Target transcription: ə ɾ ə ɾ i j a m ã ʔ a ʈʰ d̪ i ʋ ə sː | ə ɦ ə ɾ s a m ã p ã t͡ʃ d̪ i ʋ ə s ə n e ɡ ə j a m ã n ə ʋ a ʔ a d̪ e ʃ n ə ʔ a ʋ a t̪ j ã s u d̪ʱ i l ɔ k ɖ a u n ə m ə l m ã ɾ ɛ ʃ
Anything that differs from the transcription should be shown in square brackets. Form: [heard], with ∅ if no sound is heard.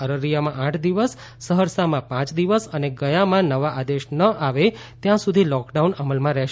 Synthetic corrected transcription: ə ɾ ə ɾ i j a m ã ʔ a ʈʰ d̪ i ʋ ə sː | ə ɦ ə ɾ s a m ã p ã t͡ʃ d̪ i ʋ ə s ə n e ɡ ə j a m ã n ə ʋ a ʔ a d̪ e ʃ n ə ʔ a ʋ [e] t̪ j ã s u d̪ʱ i l ɔ k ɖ a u n ə m ə l m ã ɾ ɛ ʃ